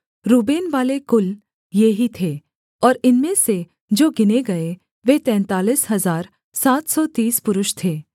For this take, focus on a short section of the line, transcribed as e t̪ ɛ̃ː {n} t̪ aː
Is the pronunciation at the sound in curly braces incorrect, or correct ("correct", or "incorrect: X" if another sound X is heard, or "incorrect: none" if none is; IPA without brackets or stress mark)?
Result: correct